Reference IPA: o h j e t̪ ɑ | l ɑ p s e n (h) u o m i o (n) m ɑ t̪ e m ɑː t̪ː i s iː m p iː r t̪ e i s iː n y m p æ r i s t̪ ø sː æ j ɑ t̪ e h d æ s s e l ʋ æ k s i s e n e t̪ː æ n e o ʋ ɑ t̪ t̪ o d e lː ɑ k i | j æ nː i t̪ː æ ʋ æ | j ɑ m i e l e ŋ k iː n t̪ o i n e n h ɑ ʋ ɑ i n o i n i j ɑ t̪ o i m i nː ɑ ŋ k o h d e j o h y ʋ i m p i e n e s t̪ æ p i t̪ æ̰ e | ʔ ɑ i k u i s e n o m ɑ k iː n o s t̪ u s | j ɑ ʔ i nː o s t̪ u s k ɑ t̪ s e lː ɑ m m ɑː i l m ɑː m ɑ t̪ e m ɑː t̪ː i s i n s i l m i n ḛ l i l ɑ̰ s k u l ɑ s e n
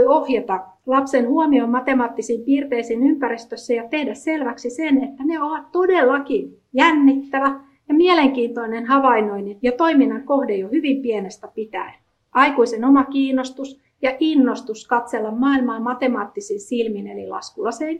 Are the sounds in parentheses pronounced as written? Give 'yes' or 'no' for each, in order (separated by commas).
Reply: yes, no